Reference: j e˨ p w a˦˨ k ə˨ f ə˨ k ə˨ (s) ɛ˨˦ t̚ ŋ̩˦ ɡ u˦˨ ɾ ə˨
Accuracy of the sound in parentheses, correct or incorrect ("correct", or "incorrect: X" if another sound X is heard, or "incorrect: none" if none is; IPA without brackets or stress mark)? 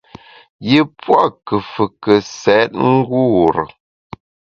correct